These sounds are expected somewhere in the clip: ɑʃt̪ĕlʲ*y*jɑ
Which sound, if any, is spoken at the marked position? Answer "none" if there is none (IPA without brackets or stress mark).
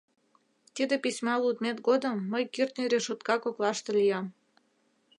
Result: i